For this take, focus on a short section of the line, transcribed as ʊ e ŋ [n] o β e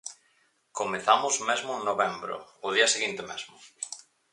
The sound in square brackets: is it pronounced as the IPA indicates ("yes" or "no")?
yes